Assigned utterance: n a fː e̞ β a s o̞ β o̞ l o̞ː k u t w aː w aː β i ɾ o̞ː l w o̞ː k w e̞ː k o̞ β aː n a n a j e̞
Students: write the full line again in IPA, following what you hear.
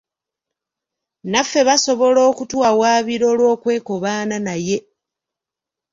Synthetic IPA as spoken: n a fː e̞ β a s o̞ β o̞ l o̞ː k u t w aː w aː β i ɾ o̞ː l w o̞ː k w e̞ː k o̞ β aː n a n a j e̞